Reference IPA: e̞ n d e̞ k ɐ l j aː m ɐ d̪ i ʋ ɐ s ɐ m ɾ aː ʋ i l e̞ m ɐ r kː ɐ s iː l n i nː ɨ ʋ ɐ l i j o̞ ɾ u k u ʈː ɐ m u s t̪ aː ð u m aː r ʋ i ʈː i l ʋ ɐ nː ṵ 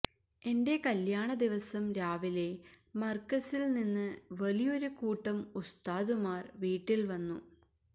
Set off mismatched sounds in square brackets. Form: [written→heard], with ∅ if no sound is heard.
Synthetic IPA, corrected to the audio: e̞ n d e̞ k ɐ l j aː [m→ɳ] ɐ d̪ i ʋ ɐ s ɐ m ɾ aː ʋ i l e̞ m ɐ r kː ɐ s [iː→i] l n i nː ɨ ʋ ɐ l i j o̞ ɾ u k [u→uː] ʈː ɐ m u s t̪ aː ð u m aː r ʋ [i→iː] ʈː i l ʋ ɐ nː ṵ

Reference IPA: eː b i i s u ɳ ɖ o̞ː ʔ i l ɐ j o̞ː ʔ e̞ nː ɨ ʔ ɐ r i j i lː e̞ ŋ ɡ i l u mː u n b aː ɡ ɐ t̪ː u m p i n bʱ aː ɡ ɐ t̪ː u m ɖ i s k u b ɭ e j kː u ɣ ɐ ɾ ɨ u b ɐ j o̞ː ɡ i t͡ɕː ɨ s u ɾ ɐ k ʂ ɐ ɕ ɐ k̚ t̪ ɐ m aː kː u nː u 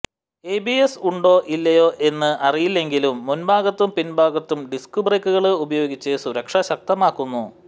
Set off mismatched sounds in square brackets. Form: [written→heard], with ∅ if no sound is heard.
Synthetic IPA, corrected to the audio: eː b i [i→e] s u ɳ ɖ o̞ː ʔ i [l→lː] ɐ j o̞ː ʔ e̞ nː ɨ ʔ ɐ r i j i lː e̞ ŋ ɡ i l u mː u n b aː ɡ ɐ t̪ː u m p i n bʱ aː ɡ ɐ t̪ː u m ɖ i s k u b [ɭ→r] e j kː u ɣ ɐ [ɾ→ɭ] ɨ u b ɐ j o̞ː ɡ i t͡ɕː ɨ s u ɾ ɐ k ʂ ɐ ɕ ɐ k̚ t̪ ɐ m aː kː u nː u

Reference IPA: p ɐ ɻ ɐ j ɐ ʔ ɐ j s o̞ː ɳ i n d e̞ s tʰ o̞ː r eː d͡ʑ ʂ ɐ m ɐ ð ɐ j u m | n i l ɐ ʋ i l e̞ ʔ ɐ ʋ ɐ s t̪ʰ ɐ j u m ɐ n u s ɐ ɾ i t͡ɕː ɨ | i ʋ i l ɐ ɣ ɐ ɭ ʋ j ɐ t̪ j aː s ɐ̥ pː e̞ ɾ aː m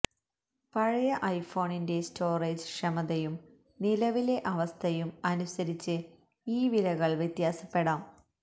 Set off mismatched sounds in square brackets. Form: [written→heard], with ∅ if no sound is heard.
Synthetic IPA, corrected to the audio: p ɐ ɻ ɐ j ɐ ʔ ɐ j [s→f] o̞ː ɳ i n d e̞ s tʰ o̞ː r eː d͡ʑ ʂ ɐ m ɐ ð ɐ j u m | n i l ɐ ʋ i l e̞ ʔ ɐ ʋ ɐ s t̪ʰ ɐ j u m ɐ n u s ɐ ɾ i t͡ɕː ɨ | [i→iː] ʋ i l ɐ ɣ ɐ ɭ ʋ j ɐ t̪ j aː s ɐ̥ pː e̞ [ɾ→ɽ] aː m

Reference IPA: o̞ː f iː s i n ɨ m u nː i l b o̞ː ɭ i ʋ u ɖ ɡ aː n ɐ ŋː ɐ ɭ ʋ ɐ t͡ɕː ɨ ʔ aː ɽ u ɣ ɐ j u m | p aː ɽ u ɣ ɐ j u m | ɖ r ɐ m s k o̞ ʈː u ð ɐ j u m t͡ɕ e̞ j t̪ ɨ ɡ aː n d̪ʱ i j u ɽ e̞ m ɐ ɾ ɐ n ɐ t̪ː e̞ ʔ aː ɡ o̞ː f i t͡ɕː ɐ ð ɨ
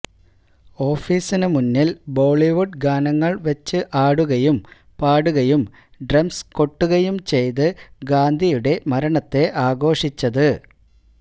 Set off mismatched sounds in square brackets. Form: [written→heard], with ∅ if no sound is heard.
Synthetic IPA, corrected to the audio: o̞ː f iː s i n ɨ m u nː i l b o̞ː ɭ i ʋ u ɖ ɡ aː n ɐ ŋː ɐ ɭ ʋ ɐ t͡ɕː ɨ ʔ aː ɽ u ɣ ɐ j u m | p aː ɽ u ɣ ɐ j u m | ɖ r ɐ m s k o̞ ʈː u [ð→ɣ] ɐ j u m t͡ɕ e̞ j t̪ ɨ ɡ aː n d̪ʱ i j u ɽ e̞ m ɐ ɾ ɐ [n→ɳ] ɐ t̪ː e̞ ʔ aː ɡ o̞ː [f→ʂ] i t͡ɕː ɐ ð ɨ

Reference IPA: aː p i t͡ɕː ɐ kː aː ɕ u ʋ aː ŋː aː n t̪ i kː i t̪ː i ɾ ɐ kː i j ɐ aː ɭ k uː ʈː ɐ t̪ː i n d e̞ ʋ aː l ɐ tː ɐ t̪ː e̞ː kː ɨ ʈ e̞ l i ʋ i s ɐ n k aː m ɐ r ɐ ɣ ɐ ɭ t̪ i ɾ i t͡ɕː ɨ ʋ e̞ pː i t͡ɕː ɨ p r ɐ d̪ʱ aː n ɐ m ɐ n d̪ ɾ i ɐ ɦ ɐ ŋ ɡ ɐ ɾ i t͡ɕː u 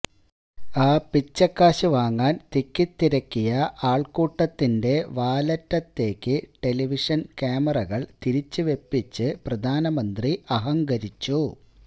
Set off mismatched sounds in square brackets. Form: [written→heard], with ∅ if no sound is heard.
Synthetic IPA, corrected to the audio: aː p i t͡ɕː ɐ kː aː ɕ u ʋ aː ŋː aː n t̪ i kː i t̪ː i ɾ ɐ kː i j ɐ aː ɭ k uː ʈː ɐ t̪ː i n d e̞ ʋ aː l ɐ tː ɐ t̪ː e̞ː kː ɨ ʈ e̞ l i ʋ i [s→ʂ] ɐ n k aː m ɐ r ɐ ɣ ɐ ɭ t̪ i ɾ i t͡ɕː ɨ ʋ e̞ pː i t͡ɕː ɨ p r ɐ d̪ʱ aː n ɐ m ɐ n d̪ [ɾ→r] i ɐ ɦ ɐ ŋ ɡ ɐ ɾ i t͡ɕː u

